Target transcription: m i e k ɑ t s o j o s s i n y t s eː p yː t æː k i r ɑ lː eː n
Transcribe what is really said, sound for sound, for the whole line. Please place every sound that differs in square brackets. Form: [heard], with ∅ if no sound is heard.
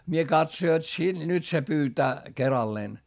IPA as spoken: m i e k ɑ t s o j o [t] s i n y t s [e] p yː t æː k [e] r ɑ lː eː n